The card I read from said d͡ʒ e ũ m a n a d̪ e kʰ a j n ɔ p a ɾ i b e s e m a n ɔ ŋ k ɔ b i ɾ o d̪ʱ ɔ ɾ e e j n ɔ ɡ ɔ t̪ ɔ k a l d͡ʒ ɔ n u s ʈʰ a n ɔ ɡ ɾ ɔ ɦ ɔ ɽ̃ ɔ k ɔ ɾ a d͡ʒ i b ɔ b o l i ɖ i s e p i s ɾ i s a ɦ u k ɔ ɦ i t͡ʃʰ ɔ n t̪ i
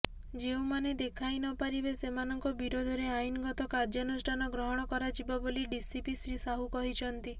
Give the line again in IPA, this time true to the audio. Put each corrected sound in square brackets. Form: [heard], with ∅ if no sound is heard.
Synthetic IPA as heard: d͡ʒ e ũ m a n [e] d̪ e kʰ a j n ɔ p a ɾ i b e s e m a n ɔ ŋ k ɔ b i ɾ o d̪ʱ ɔ ɾ e [a] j n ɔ ɡ ɔ t̪ ɔ k a [ɾ] d͡ʒ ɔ n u s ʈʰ a n ɔ ɡ ɾ ɔ ɦ ɔ ɽ̃ ɔ k ɔ ɾ a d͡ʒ i b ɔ b o l i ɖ i s [i] p i s ɾ i s a ɦ u k ɔ ɦ i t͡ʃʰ ɔ n t̪ i